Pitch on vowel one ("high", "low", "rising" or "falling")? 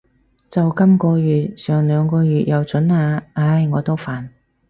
low